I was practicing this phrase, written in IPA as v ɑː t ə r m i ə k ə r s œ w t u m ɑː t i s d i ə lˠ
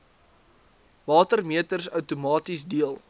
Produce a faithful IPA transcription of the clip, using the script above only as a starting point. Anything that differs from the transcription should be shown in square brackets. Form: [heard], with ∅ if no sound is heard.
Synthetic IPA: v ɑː t ə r m i ə [t] ə r s œ w t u m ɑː t i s d i ə lˠ